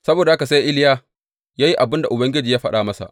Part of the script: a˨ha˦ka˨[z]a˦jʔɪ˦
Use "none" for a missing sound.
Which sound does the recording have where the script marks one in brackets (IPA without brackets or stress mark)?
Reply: s